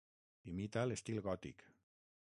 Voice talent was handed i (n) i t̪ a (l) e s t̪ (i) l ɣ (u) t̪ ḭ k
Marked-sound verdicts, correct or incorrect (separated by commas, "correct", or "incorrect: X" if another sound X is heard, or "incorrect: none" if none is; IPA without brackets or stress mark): incorrect: m, correct, correct, incorrect: ɔ